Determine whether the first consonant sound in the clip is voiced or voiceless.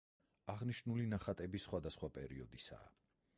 voiced